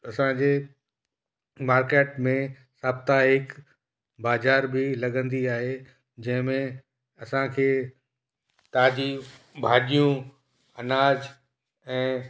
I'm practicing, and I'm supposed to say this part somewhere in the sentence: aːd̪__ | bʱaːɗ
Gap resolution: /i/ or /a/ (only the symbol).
i